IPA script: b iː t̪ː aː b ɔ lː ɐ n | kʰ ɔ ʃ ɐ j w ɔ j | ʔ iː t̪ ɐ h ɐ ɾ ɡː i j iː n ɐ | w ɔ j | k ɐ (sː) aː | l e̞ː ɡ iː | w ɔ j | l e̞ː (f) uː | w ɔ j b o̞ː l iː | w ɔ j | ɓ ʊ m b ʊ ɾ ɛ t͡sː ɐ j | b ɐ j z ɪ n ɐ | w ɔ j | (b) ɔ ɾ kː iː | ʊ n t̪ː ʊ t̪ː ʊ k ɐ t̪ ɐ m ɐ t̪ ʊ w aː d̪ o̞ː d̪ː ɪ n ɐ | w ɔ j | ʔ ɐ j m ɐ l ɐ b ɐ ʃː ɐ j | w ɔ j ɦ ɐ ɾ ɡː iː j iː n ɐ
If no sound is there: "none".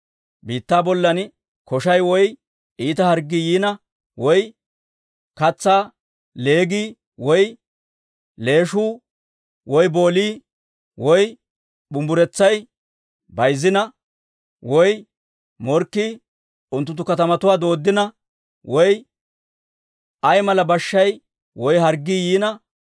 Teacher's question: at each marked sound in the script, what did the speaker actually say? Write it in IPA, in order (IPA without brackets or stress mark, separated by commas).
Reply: t͡sː, ʃ, m